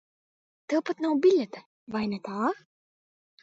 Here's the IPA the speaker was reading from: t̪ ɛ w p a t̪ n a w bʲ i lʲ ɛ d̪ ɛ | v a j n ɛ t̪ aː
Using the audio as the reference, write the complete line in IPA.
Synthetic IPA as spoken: t̪ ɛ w p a t̪ n a w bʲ i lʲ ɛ t̪ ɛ | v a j n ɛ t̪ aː

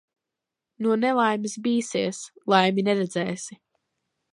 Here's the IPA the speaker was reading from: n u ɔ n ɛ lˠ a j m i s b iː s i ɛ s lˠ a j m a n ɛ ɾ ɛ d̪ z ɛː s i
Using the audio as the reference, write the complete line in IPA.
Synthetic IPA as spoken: n u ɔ n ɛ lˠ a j m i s b iː s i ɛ s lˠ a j m i n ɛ ɾ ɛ d̪ z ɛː s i

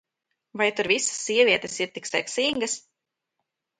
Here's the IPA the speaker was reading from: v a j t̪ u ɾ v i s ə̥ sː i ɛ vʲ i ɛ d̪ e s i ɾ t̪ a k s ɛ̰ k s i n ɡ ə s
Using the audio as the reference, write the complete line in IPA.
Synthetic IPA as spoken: v a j t̪ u ɾ v i s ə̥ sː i ɛ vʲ i ɛ t̪ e s i ɾ t̪ i k s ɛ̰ k s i ŋ ɡ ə s

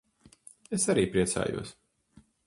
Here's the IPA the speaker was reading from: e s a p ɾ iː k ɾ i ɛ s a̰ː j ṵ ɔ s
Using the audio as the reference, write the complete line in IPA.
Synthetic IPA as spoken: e s a ɾ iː p ɾ i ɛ s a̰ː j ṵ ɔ s

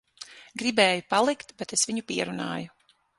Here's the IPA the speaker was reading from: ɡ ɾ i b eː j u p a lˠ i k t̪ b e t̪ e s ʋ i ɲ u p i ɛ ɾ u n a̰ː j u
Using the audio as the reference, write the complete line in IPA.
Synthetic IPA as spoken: ɡ ɾ i b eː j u p a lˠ i k t̪ b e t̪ e s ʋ i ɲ u p i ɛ ɾ u n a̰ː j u

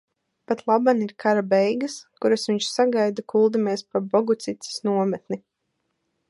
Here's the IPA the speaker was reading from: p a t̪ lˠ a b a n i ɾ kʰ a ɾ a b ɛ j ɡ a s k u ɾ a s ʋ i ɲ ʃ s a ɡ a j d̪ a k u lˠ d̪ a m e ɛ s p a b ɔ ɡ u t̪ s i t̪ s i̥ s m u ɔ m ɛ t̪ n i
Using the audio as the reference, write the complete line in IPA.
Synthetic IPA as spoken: p a t̪ lˠ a b a n i ɾ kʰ a ɾ a b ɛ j ɡ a s k u ɾ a s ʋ i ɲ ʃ s a ɡ a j d̪ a k u lˠ d̪ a m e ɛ s p a b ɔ ɡ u t̪ s i t̪ s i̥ s n u ɔ m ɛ t̪ n i

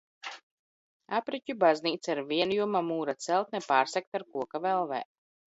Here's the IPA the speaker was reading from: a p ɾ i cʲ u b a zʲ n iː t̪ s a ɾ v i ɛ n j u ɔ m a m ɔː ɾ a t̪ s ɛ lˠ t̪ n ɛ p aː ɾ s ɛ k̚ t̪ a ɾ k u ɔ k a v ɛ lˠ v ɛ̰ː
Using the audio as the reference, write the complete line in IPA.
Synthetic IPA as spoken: a p ɾ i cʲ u b a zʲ n iː t̪ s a ɾ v i ɛ n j u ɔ m a m uː ɾ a t̪ s ɛ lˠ t̪ n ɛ p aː ɾ s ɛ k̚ t̪ a ɾ k u ɔ k a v ɛ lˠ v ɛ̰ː

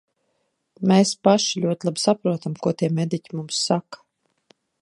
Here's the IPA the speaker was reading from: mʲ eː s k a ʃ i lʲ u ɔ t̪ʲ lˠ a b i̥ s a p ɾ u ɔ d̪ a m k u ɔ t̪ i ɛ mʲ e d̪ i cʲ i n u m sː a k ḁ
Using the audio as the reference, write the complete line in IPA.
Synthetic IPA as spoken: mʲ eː s p a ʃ i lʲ u ɔ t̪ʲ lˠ a b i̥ s a p ɾ u ɔ t̪ a m k u ɔ t̪ i ɛ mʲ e d̪ i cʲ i m u m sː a k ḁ

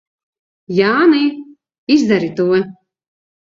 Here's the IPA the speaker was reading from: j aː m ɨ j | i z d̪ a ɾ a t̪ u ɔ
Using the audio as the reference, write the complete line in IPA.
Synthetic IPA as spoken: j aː n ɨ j | i z d̪ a ɾ i t̪ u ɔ

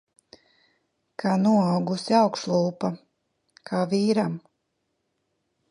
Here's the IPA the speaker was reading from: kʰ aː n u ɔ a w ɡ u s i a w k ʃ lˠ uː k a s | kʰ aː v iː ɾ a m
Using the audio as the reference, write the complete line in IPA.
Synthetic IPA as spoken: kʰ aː n u ɔ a w ɡ u s i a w k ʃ lˠ uː p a | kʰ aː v iː ɾ a m

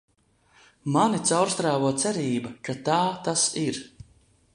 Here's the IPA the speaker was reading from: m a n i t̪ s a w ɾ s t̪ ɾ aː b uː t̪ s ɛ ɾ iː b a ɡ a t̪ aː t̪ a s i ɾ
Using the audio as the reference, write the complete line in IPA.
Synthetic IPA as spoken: m a n i t̪ s a w ɾ s t̪ ɾ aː v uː t̪ s ɛ ɾ iː b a k a t̪ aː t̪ a s i ɾ

